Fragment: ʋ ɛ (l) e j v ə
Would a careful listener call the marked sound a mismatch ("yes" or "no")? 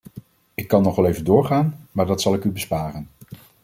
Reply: no